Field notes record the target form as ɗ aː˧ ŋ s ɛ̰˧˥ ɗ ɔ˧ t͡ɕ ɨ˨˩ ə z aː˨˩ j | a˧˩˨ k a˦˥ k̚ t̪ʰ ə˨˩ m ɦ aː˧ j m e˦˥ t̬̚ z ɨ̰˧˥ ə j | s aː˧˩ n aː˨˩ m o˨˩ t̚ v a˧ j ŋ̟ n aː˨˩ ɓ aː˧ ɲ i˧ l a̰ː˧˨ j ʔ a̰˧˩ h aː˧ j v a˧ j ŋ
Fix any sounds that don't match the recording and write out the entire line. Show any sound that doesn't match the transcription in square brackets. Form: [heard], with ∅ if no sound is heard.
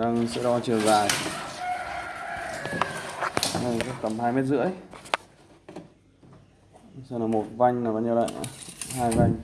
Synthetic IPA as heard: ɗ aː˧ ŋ s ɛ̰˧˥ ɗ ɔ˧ t͡ɕ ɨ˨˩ ə z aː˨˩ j | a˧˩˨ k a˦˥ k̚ [t̪] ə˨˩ m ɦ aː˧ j m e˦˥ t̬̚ z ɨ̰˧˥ ə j | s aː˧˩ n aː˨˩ m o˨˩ t̚ v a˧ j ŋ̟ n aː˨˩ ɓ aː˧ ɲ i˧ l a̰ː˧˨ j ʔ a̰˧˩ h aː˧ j v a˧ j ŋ